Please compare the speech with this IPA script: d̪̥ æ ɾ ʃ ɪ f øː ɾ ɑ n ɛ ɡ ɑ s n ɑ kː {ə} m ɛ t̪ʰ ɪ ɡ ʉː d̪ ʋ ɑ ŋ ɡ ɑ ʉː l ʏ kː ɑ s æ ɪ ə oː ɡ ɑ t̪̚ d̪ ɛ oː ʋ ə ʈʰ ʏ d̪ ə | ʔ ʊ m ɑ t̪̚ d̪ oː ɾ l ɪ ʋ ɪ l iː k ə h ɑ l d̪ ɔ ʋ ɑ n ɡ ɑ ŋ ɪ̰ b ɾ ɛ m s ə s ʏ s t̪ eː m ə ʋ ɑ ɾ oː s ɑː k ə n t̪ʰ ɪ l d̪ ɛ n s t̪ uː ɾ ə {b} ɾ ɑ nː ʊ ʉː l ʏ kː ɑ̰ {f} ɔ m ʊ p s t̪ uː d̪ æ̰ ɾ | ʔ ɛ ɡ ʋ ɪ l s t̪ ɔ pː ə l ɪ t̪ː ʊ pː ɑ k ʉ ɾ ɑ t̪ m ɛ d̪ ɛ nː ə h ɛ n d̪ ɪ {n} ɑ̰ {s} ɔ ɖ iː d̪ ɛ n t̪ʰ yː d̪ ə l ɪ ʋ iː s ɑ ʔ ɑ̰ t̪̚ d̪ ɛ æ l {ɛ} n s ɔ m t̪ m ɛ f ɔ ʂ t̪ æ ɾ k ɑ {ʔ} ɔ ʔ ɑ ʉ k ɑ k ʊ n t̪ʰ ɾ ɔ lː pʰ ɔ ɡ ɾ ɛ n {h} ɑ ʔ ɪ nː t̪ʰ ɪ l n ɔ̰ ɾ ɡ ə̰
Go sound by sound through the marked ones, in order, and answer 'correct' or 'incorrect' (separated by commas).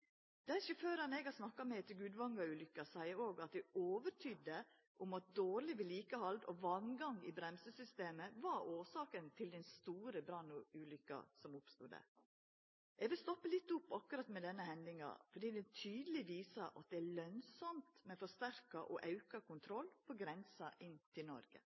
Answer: incorrect, correct, incorrect, incorrect, incorrect, incorrect, correct, incorrect